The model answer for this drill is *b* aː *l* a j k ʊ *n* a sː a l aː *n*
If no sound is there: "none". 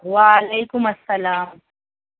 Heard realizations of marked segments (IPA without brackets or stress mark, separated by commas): w, l, m, m